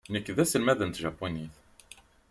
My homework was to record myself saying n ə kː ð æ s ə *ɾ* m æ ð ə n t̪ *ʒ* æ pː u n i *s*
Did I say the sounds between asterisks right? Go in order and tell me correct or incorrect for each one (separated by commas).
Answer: incorrect, correct, incorrect